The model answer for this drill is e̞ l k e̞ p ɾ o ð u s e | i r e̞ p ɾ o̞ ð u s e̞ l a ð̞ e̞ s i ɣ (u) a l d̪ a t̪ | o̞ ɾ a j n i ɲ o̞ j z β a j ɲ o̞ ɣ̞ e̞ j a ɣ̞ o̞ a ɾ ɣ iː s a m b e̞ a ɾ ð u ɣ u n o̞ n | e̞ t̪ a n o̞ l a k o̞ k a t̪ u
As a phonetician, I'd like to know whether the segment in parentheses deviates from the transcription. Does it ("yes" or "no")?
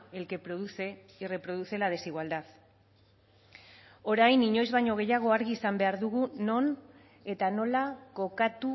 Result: yes